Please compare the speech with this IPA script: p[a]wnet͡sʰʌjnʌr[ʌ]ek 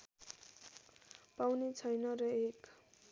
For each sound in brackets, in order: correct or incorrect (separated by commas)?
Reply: correct, correct